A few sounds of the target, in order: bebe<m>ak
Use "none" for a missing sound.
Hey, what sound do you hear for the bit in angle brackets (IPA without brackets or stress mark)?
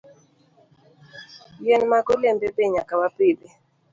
ɲ